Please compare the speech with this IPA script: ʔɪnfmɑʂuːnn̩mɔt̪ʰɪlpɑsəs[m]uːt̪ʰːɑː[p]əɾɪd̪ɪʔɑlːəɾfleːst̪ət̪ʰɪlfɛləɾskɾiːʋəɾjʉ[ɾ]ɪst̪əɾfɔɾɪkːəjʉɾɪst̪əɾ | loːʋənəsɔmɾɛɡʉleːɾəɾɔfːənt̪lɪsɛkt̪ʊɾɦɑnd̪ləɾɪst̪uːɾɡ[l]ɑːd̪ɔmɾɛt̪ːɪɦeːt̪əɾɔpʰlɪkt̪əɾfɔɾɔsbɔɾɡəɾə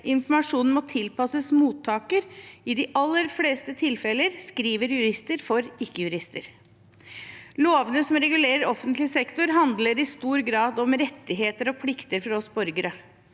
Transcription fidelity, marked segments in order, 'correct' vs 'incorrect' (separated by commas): correct, incorrect, correct, incorrect